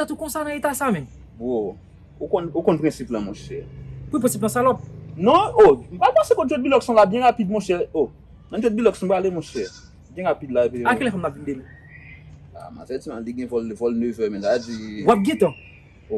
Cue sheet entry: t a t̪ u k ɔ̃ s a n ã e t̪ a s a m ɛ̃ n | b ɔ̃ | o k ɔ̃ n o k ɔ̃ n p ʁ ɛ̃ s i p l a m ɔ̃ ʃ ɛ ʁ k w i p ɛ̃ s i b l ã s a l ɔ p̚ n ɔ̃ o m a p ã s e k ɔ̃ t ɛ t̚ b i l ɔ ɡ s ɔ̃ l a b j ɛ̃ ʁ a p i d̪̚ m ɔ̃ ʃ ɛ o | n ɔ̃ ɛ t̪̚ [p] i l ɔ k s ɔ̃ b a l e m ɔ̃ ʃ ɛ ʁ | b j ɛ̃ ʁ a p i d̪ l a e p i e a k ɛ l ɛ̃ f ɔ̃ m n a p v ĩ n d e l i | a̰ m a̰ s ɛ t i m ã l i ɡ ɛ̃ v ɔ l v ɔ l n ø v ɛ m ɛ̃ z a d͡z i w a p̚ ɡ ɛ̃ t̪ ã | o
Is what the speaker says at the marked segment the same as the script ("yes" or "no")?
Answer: no